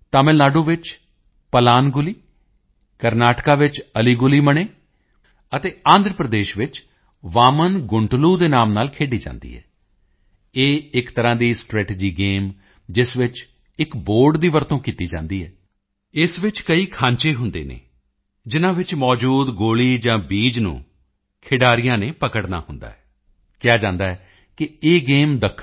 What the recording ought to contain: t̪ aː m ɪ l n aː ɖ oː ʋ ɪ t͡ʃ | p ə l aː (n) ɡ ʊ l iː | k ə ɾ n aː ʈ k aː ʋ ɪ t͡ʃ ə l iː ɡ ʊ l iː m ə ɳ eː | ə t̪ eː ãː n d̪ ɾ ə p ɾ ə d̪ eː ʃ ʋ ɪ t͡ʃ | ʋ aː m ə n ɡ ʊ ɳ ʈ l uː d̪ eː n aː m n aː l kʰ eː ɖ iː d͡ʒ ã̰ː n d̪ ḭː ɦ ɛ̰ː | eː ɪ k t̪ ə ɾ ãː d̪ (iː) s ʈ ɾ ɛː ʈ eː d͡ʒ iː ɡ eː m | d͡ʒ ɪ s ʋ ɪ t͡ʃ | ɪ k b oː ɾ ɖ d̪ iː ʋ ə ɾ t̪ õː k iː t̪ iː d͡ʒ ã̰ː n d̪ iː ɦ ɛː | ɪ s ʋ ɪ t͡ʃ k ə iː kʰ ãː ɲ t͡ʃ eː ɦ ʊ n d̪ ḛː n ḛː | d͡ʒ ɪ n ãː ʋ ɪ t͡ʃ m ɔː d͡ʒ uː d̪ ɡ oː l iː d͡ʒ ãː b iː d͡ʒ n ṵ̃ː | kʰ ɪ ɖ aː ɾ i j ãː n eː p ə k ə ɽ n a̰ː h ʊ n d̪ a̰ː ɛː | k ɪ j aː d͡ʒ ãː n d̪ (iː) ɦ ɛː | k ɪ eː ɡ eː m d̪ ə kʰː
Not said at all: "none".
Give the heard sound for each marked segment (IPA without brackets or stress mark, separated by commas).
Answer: n, iː, aː